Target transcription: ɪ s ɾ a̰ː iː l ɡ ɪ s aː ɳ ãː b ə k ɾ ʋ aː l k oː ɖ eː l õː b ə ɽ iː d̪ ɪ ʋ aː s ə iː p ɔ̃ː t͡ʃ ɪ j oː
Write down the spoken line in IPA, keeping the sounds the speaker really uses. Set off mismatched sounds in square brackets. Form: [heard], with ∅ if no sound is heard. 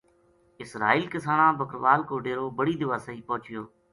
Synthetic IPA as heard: ɪ s ɾ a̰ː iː l [k] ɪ s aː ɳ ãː b ə k ɾ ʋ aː l k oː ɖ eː [ɾ] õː b ə ɽ iː d̪ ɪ ʋ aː s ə iː p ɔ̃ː t͡ʃ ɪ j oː